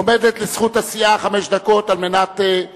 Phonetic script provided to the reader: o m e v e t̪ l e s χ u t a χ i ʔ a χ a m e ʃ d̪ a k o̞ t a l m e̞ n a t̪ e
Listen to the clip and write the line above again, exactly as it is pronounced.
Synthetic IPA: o m e v e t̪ l e s χ u t a s i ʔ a χ a m e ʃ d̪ a k o̞ t a l m e̞ n a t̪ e